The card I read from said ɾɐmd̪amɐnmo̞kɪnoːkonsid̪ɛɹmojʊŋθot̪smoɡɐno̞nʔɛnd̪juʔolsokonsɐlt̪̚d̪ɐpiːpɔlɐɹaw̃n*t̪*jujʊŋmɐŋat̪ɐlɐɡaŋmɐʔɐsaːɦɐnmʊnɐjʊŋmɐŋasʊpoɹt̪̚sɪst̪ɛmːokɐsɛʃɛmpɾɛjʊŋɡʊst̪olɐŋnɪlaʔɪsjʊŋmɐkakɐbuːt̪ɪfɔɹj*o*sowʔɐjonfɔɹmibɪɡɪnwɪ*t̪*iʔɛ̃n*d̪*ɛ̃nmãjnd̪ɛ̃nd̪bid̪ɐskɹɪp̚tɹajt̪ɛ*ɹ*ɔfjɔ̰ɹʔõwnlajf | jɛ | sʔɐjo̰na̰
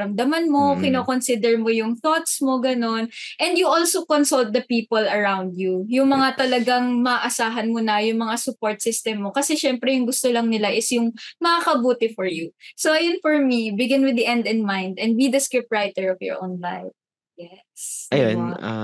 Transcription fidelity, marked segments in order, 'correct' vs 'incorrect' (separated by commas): incorrect, incorrect, incorrect, correct, correct